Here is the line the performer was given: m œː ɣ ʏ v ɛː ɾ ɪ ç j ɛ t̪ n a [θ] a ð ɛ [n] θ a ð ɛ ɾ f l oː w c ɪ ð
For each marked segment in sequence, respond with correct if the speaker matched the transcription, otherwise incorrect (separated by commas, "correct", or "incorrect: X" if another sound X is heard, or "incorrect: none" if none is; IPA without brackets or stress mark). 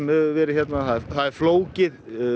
correct, incorrect: none